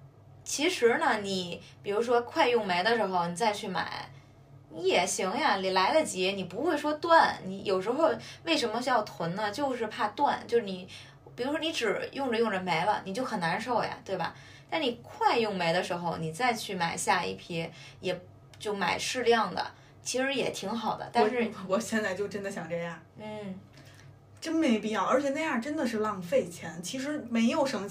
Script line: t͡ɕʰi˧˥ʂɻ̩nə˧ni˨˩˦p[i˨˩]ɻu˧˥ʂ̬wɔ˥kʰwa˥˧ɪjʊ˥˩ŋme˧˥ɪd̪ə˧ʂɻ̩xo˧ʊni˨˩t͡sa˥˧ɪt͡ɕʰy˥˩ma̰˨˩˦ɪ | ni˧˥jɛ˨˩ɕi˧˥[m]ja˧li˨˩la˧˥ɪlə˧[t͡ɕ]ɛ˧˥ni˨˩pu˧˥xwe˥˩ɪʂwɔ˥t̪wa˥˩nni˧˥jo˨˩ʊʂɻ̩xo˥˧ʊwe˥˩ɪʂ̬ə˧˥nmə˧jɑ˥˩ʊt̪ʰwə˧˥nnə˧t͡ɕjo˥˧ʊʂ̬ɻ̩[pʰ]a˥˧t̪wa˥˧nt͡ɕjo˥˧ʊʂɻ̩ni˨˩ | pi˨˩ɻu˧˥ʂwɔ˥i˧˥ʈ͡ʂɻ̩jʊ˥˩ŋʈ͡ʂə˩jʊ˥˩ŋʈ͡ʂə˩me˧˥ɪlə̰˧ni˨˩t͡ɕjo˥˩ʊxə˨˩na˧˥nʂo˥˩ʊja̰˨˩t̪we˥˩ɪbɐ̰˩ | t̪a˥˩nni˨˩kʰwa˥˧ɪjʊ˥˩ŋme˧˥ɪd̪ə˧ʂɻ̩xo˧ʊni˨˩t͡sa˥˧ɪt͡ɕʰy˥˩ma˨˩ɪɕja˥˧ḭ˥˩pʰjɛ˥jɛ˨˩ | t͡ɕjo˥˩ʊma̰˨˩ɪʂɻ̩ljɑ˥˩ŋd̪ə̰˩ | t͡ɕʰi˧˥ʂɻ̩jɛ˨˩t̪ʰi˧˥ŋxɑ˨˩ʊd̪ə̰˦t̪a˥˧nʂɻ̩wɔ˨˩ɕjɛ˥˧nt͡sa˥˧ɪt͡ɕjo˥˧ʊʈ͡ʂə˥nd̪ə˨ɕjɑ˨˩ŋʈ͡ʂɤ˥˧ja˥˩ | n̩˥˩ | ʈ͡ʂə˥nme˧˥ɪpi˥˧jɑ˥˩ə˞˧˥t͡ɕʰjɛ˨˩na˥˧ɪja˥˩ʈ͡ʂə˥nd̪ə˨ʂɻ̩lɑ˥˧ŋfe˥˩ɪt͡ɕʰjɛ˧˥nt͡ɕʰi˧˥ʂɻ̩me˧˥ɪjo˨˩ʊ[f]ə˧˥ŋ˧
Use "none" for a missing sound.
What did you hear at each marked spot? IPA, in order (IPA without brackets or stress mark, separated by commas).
i˨˩, ŋ, t͡ɕ, pʰ, ʂ